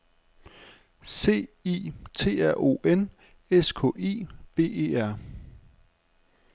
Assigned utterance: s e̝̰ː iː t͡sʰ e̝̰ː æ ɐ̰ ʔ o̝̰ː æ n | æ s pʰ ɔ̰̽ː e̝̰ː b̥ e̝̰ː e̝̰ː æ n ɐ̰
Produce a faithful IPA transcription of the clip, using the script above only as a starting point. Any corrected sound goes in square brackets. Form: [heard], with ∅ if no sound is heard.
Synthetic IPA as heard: s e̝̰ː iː t͡sʰ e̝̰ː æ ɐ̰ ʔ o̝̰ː [e] n | [e] s [kʰ] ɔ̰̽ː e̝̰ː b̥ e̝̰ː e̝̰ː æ [∅] ɐ̰